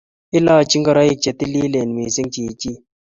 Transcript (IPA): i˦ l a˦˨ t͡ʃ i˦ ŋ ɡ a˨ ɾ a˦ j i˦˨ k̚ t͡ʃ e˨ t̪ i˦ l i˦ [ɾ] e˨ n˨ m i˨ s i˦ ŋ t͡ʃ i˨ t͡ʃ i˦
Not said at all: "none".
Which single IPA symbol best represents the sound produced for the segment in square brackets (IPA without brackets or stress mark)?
l